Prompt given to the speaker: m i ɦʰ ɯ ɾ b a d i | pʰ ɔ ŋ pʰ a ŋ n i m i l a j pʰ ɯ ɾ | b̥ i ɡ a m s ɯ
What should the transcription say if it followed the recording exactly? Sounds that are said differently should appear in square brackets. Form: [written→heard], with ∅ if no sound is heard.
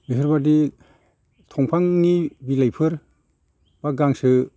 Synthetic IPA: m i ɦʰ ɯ ɾ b a d i | [pʰ→tʰ] ɔ ŋ pʰ a ŋ n i [m→b] i l a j pʰ ɯ ɾ | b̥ [i→a] ɡ a [m→ŋ] s ɯ